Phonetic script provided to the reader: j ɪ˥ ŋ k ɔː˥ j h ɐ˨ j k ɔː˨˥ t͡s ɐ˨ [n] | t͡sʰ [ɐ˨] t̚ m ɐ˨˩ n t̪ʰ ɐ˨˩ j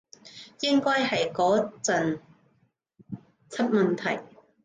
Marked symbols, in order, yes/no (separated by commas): yes, no